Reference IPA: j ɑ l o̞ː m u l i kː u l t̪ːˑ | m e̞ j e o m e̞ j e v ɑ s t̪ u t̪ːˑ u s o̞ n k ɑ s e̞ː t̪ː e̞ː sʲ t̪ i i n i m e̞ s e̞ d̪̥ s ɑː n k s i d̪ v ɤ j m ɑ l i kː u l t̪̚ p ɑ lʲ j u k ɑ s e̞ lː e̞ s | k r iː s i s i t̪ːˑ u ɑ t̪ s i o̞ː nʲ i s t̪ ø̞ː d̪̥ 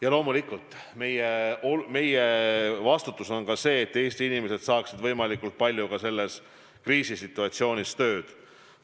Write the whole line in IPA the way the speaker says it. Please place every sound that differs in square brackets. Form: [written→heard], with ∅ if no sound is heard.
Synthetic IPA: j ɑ l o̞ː m u l i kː u l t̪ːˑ | m e̞ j e o m e̞ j e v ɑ s t̪ u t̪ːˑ u s o̞ n k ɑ s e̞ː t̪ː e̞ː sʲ t̪ i i n i m e̞ s e̞ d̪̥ s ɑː [n→∅] k s i d̪ v ɤ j m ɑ l i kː u l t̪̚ p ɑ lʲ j u k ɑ s e̞ lː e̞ s | k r iː s i s i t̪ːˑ u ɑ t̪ s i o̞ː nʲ i s t̪ ø̞ː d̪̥

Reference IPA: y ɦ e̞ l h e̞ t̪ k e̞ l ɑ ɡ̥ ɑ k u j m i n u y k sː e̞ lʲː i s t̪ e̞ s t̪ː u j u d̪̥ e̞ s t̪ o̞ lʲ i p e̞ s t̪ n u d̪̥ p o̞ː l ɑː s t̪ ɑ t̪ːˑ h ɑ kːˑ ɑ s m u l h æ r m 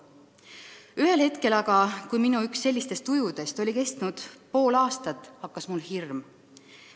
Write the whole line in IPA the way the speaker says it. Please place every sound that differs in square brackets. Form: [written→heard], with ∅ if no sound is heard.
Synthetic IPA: y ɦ e̞ l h e̞ t̪ k e̞ l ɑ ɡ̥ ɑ k u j m i n u y k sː e̞ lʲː i s t̪ e̞ s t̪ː u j u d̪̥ e̞ s t̪ o̞ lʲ i [p→k] e̞ s t̪ n u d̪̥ p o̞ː l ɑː s t̪ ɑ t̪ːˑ h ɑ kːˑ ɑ s m u l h [æ→i] r m

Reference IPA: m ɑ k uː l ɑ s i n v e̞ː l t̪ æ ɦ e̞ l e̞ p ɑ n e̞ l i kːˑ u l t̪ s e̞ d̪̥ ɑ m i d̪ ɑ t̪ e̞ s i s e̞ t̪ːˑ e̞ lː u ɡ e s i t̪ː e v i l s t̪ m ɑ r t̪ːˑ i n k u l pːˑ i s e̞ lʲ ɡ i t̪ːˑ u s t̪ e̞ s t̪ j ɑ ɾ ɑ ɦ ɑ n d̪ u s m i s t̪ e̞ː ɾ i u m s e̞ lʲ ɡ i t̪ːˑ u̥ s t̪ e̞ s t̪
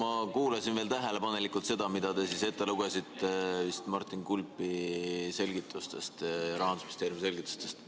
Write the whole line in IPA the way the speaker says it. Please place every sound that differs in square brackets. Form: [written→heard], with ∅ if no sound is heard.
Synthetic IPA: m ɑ k uː l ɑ s i n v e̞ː l t̪ æ ɦ e̞ l e̞ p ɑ n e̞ l i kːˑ u l t̪ s e̞ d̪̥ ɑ m i d̪ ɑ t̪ e̞ s i s e̞ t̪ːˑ e̞ [lː→l] u ɡ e s i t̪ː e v i [l→∅] s t̪ m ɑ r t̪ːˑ i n k u l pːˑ i s e̞ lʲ ɡ i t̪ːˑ u s t̪ e̞ s t̪ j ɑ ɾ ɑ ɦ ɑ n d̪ u s m i s t̪ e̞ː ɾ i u m s e̞ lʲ ɡ i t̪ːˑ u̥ s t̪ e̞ s t̪

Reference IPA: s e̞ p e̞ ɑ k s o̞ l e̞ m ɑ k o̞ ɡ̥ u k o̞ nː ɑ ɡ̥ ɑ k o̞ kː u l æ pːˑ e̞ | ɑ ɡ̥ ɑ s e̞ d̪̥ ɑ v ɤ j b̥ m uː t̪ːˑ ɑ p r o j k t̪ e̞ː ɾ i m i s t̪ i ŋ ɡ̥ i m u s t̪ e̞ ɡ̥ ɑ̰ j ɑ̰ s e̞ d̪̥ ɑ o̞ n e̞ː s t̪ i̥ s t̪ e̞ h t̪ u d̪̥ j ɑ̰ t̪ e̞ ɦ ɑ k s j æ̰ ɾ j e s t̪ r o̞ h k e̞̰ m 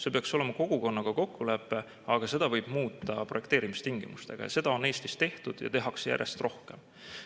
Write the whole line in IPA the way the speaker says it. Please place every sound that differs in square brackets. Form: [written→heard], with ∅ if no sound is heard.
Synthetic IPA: s e̞ p e̞ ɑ k s o̞ l e̞ m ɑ k o̞ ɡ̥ u k o̞ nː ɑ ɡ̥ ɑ k o̞ kː u l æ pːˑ e̞ | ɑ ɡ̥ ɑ s e̞ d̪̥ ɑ v ɤ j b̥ m uː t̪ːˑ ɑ p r o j k t̪ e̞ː ɾ i m i s t̪ i ŋ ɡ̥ i m u s t̪ e̞ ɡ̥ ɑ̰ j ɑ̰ s e̞ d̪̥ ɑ o̞ n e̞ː s t̪ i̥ s t̪ e̞ h t̪ u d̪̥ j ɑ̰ t̪ e̞ ɦ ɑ k s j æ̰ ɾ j e s t̪ r o̞ h k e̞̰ m

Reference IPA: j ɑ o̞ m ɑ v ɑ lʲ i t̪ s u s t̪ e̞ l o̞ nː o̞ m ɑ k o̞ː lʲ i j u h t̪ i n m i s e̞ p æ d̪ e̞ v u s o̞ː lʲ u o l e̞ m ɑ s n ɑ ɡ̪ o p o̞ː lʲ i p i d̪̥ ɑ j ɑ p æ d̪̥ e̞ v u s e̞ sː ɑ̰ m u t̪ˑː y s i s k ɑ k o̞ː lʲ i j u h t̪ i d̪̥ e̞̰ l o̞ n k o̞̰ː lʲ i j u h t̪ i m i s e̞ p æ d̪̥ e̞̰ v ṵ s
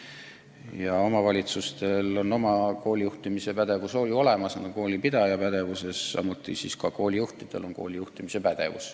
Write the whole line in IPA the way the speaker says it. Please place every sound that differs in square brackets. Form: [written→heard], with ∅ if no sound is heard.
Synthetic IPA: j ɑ o̞ m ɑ v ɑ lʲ i t̪ s u s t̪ e̞ l o̞ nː o̞ m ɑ k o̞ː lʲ i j u h t̪ i [n→∅] m i s e̞ p æ d̪ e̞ v u s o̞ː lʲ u o l e̞ m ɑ s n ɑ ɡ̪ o [p→k] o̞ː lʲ i p i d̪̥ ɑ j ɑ p æ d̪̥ e̞ v u s e̞ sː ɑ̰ m u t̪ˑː [y→i] s i s k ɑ k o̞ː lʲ i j u h t̪ i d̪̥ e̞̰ l o̞ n k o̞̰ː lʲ i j u h t̪ i m i s e̞ p æ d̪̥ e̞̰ v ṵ s

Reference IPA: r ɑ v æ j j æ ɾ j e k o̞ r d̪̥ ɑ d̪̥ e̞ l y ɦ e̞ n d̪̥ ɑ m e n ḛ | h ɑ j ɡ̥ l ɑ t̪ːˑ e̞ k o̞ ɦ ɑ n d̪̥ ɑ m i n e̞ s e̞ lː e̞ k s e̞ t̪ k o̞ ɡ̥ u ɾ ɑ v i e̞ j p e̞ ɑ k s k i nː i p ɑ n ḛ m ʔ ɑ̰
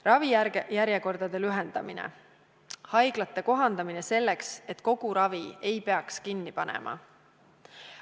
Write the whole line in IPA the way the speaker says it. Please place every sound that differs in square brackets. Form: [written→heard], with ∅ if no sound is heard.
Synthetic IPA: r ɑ v [æ→i] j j æ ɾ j e k o̞ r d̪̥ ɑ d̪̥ e̞ l y ɦ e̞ n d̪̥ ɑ m [e→i] n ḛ | h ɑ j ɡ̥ l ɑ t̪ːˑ e̞ k o̞ ɦ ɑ n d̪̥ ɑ m i n e̞ s e̞ lː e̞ k s e̞ t̪ k o̞ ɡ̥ u ɾ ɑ v i e̞ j p e̞ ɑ k s k i nː i p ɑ n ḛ m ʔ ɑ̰

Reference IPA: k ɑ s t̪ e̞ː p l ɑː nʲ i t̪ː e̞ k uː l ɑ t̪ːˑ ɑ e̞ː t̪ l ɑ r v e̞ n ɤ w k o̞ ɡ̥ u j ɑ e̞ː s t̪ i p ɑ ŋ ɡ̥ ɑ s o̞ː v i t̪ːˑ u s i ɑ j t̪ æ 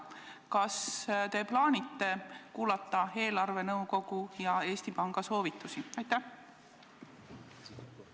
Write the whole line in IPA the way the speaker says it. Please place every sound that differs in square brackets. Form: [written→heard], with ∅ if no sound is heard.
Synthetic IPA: k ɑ s t̪ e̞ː p l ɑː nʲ i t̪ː e̞ k uː l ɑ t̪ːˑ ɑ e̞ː [t̪→∅] l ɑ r v e̞ n ɤ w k o̞ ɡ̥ u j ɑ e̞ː s t̪ i p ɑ ŋ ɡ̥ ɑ s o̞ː v i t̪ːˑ u s i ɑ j t̪ æ

